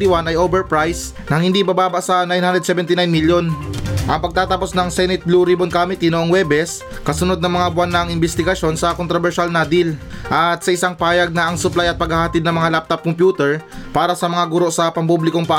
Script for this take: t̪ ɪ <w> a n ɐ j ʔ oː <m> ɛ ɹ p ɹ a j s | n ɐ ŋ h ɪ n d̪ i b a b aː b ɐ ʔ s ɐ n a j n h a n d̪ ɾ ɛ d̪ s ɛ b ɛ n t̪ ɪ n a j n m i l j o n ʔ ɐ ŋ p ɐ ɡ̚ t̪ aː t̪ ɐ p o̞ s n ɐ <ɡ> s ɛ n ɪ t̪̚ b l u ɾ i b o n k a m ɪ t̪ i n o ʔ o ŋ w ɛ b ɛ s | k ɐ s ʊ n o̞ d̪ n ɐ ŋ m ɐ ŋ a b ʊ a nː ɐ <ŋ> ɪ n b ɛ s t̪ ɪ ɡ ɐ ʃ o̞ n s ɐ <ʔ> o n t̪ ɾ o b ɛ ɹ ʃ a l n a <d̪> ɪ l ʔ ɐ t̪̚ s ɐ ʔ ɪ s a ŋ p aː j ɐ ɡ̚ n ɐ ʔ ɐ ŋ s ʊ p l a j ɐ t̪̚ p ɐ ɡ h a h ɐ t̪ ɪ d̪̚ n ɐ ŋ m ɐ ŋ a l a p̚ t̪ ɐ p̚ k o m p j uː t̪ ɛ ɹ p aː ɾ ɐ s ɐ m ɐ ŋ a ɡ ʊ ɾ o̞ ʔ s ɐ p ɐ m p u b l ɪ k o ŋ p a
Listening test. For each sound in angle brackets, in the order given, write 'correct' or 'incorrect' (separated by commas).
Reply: correct, incorrect, incorrect, correct, incorrect, correct